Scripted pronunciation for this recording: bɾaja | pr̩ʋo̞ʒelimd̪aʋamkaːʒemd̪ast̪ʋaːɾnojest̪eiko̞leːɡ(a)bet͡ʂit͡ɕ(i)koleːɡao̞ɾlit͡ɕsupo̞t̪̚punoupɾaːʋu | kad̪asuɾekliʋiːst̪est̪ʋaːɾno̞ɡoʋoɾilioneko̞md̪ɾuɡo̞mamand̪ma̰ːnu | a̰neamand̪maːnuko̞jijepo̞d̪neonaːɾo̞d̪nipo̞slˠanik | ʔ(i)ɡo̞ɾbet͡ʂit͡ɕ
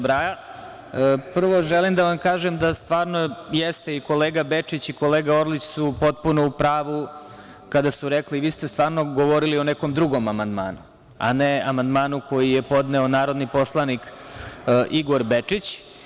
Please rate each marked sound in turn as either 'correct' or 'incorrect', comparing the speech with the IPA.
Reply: correct, correct, correct

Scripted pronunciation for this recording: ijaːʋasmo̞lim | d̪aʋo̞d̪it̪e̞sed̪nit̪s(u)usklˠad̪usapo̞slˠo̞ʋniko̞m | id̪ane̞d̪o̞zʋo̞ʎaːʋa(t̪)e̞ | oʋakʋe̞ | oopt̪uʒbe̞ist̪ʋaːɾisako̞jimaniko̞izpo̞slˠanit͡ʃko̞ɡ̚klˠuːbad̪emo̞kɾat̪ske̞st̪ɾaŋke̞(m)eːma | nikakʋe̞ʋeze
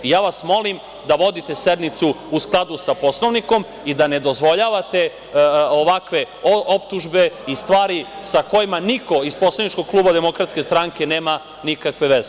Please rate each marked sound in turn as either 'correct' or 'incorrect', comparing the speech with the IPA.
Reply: correct, correct, incorrect: n

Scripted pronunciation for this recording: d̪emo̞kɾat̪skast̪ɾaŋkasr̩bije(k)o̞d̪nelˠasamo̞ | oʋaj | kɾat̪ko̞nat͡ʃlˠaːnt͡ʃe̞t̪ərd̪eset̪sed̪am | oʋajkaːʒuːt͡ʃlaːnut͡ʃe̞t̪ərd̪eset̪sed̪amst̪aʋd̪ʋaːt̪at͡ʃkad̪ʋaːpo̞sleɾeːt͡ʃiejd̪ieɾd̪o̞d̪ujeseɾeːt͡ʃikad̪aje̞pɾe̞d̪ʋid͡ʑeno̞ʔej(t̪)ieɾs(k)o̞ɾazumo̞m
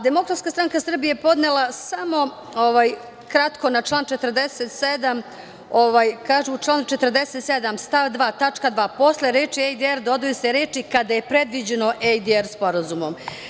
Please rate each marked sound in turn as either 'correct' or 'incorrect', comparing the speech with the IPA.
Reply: incorrect: p, incorrect: d̪, incorrect: p

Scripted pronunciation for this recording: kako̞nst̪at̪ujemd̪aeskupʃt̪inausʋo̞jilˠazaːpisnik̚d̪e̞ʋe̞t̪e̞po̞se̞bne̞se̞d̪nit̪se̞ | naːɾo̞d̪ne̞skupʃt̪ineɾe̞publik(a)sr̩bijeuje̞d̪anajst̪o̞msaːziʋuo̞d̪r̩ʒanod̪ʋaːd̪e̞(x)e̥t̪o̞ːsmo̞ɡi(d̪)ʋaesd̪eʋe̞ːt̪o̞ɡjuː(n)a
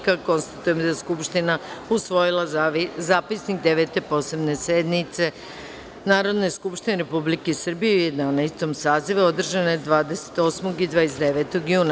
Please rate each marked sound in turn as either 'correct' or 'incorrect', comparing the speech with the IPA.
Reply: incorrect: e, incorrect: s, correct, correct

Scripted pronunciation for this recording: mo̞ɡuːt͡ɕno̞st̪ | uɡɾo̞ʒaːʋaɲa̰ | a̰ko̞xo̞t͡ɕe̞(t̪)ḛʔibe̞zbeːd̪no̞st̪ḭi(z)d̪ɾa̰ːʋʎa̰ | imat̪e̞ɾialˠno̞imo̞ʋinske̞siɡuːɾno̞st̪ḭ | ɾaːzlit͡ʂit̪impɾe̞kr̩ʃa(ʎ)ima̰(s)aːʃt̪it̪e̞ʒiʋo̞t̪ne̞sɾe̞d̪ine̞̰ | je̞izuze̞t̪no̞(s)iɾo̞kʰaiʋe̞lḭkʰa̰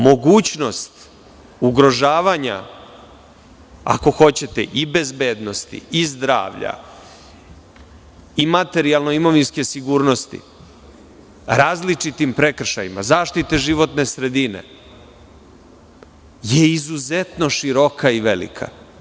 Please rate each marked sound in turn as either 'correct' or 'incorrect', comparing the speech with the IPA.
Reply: correct, correct, incorrect: j, incorrect: z, incorrect: ʃ

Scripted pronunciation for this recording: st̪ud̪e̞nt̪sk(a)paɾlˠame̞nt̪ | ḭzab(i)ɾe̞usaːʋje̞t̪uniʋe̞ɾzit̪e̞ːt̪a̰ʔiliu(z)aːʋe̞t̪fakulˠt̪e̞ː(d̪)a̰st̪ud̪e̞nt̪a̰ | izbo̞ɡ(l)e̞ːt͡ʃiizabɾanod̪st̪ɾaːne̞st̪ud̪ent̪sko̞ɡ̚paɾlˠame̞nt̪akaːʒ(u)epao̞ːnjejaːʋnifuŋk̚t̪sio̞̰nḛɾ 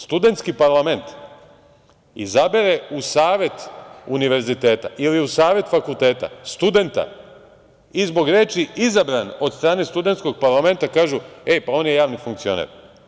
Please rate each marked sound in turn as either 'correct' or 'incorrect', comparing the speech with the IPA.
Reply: incorrect: i, incorrect: e, incorrect: s, incorrect: t̪, incorrect: ɾ, correct

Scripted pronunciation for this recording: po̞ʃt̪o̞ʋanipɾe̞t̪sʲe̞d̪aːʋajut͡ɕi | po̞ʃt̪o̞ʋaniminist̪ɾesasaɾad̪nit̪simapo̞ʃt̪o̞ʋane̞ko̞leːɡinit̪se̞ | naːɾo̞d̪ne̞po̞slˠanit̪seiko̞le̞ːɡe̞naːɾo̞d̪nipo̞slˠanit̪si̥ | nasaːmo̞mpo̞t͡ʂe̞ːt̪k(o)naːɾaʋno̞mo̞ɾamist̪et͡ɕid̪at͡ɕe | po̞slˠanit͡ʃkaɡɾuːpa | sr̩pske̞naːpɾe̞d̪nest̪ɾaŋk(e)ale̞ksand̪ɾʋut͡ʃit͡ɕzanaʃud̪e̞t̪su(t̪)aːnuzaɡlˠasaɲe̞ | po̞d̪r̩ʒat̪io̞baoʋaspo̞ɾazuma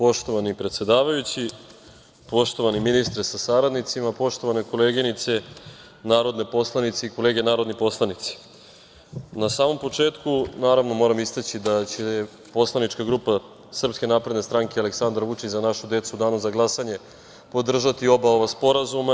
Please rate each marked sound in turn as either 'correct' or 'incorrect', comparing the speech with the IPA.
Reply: incorrect: u, correct, incorrect: d̪

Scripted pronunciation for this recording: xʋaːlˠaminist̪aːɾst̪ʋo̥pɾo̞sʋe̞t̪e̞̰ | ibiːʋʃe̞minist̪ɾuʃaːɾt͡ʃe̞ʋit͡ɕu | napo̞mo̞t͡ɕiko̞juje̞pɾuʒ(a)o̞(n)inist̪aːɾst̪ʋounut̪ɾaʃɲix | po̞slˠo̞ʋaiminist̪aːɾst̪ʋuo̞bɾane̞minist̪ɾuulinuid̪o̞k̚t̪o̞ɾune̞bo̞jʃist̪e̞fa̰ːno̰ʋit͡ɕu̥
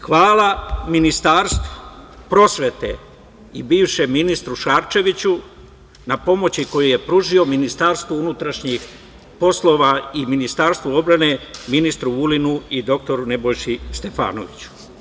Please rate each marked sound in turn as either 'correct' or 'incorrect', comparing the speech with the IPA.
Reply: incorrect: i, incorrect: m

